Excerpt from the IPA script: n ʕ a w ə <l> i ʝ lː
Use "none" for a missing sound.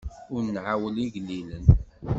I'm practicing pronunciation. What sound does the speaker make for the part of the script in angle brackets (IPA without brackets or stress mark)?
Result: l